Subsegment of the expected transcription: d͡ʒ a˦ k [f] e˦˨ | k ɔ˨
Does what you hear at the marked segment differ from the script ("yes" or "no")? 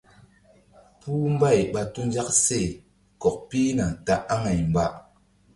yes